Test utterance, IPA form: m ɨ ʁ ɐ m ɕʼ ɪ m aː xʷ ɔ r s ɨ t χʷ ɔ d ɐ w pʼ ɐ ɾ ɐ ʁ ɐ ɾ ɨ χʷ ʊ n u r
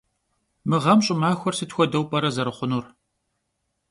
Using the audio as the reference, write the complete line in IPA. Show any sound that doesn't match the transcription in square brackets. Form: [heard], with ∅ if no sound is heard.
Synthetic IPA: m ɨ ʁ ɐ m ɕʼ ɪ m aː xʷ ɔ r s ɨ t [xʷ] ɔ d ɐ w pʼ ɐ ɾ ɐ [z] ɐ ɾ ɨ χʷ ʊ n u r